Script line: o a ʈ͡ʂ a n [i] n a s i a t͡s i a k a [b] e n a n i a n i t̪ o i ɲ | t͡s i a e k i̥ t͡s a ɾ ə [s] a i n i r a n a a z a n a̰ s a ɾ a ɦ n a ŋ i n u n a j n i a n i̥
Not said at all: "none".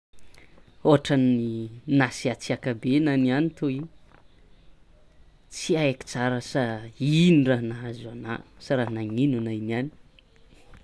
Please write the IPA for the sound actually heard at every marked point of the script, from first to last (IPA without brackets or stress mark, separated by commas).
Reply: i, b, s